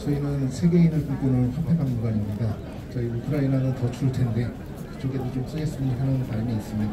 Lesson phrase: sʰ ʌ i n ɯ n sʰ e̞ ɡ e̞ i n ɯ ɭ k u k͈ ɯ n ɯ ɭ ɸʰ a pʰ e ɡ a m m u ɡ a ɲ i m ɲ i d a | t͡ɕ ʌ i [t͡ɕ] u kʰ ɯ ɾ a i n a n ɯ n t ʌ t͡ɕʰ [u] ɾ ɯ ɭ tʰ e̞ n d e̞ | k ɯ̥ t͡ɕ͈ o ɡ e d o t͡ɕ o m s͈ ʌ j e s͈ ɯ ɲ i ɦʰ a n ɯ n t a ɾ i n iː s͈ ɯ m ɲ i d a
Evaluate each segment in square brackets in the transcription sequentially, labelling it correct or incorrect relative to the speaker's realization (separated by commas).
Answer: incorrect, correct